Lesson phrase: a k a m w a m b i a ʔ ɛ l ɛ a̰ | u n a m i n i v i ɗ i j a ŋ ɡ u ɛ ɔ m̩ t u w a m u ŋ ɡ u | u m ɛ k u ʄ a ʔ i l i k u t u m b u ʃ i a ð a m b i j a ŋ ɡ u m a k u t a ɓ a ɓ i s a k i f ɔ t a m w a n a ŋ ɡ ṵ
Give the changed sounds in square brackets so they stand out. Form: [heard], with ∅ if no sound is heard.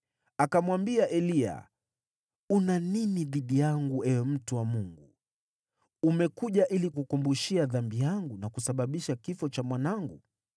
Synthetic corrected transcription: a k a m w a m b i a ʔ ɛ l [i] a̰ | u n a [n] i n i [ð] i ɗ i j a ŋ ɡ u ɛ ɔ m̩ t u w a m u ŋ ɡ u | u m ɛ k u ʄ a ʔ i l i k u [k] u m b u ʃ i a ð a m b i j a ŋ ɡ u [n] a k u [s] a ɓ a ɓ i [ʃ] a k i f ɔ [t͡ʃ] a m w a n a ŋ ɡ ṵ